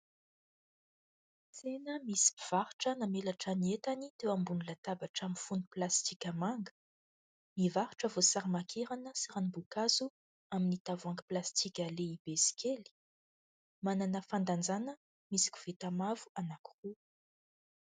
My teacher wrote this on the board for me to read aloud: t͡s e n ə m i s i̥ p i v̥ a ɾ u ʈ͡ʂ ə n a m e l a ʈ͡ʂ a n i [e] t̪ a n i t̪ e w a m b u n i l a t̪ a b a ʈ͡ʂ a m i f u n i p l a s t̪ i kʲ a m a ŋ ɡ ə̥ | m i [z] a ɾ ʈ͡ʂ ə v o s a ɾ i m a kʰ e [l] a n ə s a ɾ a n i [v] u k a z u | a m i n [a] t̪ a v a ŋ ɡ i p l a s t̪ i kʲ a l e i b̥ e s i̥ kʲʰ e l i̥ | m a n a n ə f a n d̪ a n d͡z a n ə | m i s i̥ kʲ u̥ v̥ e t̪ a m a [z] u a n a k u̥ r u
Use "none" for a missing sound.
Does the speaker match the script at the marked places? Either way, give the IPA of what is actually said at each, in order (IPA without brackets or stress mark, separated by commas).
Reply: e, v, ɾ, b, i, v